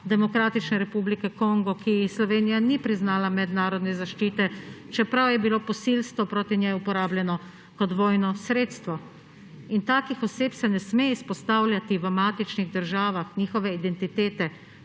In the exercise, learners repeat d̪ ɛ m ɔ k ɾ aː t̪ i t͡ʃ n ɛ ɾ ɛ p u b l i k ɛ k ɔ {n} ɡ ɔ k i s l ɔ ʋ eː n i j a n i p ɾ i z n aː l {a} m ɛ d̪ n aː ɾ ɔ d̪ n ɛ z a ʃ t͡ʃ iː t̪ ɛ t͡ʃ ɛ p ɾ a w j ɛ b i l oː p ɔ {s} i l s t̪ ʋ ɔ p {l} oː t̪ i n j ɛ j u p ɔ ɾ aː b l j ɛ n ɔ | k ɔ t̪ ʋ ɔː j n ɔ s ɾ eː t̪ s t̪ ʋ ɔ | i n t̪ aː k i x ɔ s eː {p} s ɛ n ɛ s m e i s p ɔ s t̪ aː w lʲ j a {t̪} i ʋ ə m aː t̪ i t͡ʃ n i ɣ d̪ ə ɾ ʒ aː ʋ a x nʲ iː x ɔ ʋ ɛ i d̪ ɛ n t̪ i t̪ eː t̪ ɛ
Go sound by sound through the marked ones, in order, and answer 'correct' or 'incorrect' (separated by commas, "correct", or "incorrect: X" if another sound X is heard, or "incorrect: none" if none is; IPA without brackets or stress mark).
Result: incorrect: ŋ, correct, correct, incorrect: ɾ, correct, correct